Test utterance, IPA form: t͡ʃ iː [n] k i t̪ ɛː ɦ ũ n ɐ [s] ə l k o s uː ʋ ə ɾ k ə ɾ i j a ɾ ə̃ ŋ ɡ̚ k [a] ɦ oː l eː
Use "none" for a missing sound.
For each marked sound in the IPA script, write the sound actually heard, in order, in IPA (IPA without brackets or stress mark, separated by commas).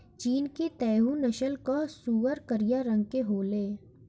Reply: n, ʃ, e